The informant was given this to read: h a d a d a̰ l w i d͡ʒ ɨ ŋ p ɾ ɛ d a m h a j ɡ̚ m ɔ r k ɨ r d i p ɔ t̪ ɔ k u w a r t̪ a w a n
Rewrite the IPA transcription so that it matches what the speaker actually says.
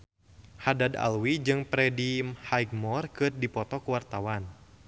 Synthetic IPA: h a d a d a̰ l w i d͡ʒ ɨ ŋ p ɾ ɛ d i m h a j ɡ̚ m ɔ r k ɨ r d i p ɔ t̪ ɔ k u w a r t̪ a w a n